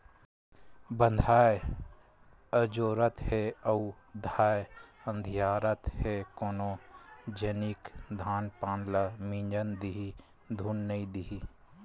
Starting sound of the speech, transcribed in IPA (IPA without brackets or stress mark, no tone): b